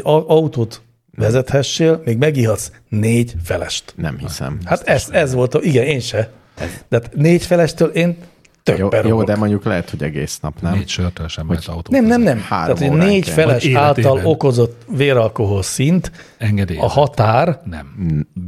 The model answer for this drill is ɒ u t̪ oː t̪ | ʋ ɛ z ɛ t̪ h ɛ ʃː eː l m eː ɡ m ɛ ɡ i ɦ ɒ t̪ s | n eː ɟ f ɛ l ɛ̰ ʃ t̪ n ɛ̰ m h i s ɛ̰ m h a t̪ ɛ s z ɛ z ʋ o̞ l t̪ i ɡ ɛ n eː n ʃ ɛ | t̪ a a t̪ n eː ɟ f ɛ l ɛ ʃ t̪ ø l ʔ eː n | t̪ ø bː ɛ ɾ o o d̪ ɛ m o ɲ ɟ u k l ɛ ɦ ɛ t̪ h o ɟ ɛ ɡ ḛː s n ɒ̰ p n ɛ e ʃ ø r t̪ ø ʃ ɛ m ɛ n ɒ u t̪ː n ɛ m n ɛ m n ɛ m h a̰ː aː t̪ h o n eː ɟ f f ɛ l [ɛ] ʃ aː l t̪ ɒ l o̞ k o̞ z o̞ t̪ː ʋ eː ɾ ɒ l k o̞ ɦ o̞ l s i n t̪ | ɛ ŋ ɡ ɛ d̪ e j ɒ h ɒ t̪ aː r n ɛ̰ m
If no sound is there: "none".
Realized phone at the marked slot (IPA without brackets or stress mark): ɛ